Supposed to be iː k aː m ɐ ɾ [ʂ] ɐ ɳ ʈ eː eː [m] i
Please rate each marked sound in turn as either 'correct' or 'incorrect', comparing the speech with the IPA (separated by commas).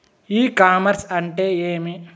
incorrect, correct